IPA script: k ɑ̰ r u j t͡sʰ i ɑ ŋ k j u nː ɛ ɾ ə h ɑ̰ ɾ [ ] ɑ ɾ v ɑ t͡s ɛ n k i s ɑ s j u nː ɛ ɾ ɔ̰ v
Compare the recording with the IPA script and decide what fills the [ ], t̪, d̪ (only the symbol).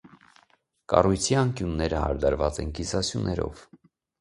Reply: d̪